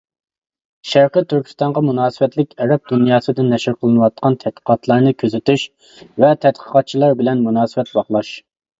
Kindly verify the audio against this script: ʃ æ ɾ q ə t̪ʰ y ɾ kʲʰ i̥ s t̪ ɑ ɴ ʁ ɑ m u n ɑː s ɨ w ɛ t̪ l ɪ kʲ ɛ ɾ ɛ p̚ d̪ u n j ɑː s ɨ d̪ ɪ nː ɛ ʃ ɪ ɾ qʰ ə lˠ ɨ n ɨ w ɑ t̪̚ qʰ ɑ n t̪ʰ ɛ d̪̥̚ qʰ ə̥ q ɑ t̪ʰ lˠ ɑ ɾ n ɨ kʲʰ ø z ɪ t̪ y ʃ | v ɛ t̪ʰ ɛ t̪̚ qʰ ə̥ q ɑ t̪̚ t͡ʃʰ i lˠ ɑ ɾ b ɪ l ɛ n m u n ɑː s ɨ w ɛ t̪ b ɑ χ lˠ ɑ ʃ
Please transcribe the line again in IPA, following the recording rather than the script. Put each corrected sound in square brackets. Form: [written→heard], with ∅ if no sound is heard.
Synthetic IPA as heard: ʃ æ ɾ q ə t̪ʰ y ɾ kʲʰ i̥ s t̪ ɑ ɴ ʁ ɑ m u n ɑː s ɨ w ɛ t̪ l ɪ kʲ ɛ ɾ ɛ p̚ d̪ u n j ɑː s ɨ d̪ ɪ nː ɛ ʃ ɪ ɾ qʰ ə lˠ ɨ n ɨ w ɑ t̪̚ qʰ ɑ n t̪ʰ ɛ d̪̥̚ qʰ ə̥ q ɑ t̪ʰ lˠ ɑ ɾ n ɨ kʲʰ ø z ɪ t̪ y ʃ | v ɛ t̪ʰ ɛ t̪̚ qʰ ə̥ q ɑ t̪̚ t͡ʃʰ i lˠ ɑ ɾ b ɪ l ɛ n m u n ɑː s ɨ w ɛ t̪ b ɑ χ lˠ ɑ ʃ

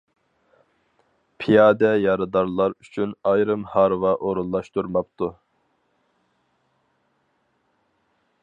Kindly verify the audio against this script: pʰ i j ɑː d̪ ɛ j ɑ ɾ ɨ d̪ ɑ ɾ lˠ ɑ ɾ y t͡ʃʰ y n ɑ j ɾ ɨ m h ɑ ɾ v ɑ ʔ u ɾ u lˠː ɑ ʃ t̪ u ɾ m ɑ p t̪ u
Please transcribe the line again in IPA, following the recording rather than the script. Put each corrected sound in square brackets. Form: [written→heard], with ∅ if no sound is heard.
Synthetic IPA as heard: pʰ i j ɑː d̪ ɛ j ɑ ɾ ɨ d̪ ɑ ɾ lˠ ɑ ɾ y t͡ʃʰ y n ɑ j ɾ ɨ m h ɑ ɾ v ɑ ʔ [u→o] ɾ u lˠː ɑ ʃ t̪ u ɾ m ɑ p t̪ u

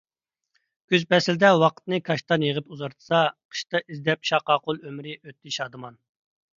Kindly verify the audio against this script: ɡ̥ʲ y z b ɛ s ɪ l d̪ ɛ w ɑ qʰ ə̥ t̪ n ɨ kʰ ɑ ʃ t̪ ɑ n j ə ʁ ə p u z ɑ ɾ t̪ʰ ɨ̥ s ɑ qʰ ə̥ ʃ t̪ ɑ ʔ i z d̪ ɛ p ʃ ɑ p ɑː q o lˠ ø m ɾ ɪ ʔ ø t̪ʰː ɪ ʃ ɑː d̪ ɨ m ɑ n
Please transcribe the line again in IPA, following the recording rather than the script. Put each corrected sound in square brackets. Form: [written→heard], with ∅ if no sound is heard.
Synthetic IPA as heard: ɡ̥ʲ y z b ɛ s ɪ l d̪ ɛ w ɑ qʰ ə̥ t̪ n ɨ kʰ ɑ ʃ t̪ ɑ n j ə ʁ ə p u z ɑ ɾ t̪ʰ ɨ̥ s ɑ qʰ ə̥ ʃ t̪ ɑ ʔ i z d̪ ɛ p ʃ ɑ [p→q] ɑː q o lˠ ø m ɾ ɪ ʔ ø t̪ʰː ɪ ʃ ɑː d̪ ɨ m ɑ n

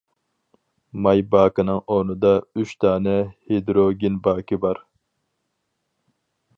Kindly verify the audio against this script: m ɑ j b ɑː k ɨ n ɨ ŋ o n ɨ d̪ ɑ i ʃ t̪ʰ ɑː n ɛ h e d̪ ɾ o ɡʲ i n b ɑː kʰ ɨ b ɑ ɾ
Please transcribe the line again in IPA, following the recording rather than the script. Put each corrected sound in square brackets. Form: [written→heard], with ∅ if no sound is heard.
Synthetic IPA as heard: m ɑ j b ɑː k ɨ n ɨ ŋ o n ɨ d̪ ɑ [i→y] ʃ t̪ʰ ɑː n ɛ h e d̪ ɾ o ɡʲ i n b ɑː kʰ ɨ b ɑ ɾ

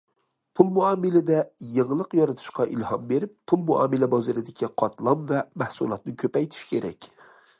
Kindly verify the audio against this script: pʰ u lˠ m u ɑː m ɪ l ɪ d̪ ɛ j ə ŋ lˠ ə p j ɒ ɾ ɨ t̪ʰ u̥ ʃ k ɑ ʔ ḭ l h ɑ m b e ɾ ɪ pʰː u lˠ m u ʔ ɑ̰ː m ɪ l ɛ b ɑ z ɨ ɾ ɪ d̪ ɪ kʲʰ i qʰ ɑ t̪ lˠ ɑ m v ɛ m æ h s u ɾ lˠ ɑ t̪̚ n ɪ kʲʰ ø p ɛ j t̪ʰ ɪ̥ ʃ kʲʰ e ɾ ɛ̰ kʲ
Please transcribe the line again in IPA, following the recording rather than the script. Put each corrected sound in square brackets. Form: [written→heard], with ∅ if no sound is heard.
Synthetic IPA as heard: pʰ u lˠ m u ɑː m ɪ l ɪ d̪ ɛ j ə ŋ lˠ ə [p→q] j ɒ ɾ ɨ t̪ʰ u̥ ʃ [k→q] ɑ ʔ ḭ l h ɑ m b e ɾ ɪ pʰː u lˠ m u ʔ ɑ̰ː m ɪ l ɛ b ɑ z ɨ ɾ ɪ d̪ ɪ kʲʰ i qʰ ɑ t̪ lˠ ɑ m v ɛ m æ h s u [ɾ→∅] lˠ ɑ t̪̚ n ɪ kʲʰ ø p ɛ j t̪ʰ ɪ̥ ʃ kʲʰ e ɾ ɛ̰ kʲ

